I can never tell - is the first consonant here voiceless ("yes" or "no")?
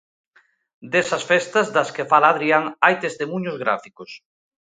no